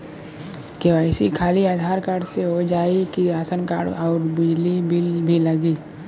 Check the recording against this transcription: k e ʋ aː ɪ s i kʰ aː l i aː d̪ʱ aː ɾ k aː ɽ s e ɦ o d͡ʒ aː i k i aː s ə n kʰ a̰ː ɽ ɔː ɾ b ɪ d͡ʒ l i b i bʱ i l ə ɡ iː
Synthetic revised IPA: k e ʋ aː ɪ s i kʰ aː l i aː d̪ʱ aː ɾ k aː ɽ s e ɦ o d͡ʒ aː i k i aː s ə n k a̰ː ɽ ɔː ɾ b ɪ d͡ʒ l i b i bʱ i l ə ɡ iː